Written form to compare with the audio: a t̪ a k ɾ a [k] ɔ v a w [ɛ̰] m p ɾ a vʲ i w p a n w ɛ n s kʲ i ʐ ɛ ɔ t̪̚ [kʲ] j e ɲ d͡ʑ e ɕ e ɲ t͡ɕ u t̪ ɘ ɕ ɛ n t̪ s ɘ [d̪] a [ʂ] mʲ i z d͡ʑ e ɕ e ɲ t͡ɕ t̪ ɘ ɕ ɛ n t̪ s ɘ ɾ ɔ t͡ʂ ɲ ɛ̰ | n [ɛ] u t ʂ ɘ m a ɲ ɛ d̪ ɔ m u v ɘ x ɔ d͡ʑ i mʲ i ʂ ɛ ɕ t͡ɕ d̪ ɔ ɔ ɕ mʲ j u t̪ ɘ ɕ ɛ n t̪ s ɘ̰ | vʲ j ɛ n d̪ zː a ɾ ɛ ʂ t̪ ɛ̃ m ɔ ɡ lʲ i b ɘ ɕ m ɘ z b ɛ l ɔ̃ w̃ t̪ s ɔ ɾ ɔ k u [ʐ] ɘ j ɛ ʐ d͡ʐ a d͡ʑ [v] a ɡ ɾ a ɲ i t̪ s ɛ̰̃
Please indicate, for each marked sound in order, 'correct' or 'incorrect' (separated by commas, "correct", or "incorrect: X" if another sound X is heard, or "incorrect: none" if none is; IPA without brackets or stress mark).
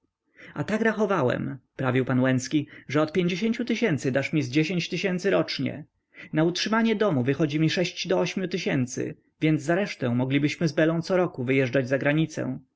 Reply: incorrect: x, correct, incorrect: pʲ, correct, correct, incorrect: a, incorrect: v, incorrect: z